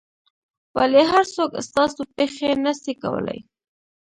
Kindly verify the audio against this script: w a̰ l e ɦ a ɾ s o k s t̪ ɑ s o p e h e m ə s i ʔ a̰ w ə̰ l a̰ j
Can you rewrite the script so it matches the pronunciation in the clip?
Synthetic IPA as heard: w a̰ l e ɦ a ɾ s o k s t̪ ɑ s o p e x e n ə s i k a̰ w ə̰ l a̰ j

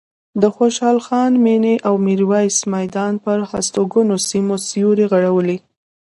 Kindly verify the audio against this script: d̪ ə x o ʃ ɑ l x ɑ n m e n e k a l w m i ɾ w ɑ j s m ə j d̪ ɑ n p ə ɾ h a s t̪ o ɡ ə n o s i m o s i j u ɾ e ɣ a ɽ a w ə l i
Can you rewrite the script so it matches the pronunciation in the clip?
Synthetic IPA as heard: d̪ ə x o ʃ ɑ l x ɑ n m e n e ʔ a w m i ɾ w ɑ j s m a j d̪ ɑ n p ə ɾ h a s t̪ o ɡ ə n o s i m o s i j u ɾ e ɣ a ɽ a w ə l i

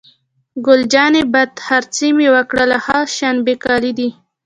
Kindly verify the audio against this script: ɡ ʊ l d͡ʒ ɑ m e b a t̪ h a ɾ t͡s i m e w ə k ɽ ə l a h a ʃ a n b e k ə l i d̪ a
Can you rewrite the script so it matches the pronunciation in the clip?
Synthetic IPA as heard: ɡ ʊ l d͡ʒ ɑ n e b a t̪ h a ɾ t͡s i m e w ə k ɽ ə l a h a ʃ a n b e k ɑ l i d̪ i

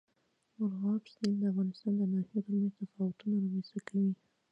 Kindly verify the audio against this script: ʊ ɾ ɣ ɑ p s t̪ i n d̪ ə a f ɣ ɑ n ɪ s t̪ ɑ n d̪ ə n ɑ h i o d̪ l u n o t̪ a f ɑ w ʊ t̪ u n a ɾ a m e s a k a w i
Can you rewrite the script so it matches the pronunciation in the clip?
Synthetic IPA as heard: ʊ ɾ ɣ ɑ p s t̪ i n d̪ ə a f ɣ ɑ n ɪ s t̪ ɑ n d̪ ə n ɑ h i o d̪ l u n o t̪ a f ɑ w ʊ t̪ u n a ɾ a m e s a k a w i

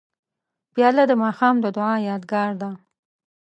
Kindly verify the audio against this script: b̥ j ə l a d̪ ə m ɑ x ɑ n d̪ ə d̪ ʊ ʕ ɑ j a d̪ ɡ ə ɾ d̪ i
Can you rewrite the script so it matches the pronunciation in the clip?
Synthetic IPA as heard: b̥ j ɑ l a d̪ ə m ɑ x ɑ m d̪ ə d̪ ʊ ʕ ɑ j ɑ d̪ ɡ ɑ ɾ d̪ a

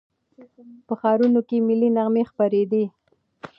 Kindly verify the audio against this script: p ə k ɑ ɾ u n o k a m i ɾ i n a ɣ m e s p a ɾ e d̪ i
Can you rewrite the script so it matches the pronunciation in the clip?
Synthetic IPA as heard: p ə x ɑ ɾ u n o k e m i l i n a ɣ m e x p a ɾ e d̪ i

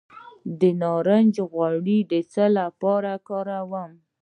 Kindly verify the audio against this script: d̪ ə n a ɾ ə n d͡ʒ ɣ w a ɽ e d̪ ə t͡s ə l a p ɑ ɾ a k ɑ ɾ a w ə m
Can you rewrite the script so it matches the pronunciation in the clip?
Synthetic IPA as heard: d̪ ə n ɑ ɾ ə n d͡ʒ ɣ w a ɽ i d̪ ə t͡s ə l a p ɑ ɾ a k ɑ ɾ a w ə m

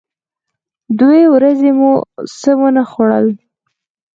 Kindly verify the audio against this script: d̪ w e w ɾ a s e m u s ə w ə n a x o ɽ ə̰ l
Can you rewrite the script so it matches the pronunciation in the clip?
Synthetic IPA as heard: d̪ w e w ɾ a z e m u s ə w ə n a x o ɽ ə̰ l

